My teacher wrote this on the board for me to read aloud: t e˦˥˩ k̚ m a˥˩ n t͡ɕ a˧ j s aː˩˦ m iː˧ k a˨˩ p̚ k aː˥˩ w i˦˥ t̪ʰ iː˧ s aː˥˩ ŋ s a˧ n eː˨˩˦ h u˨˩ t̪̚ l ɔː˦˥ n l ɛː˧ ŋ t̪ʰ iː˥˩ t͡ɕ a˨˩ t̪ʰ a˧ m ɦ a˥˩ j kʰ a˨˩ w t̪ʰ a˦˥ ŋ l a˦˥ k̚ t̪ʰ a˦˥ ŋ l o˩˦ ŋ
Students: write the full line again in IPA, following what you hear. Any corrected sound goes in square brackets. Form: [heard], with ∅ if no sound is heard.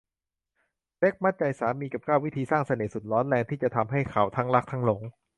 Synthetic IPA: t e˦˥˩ k̚ m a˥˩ n t͡ɕ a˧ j s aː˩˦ m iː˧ k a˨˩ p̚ k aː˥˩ w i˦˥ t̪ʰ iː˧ s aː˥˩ ŋ s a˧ n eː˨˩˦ [s] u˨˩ t̪̚ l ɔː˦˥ n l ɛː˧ ŋ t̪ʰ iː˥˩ t͡ɕ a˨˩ t̪ʰ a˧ m ɦ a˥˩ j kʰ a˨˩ w t̪ʰ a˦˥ ŋ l a˦˥ k̚ t̪ʰ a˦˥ ŋ l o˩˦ ŋ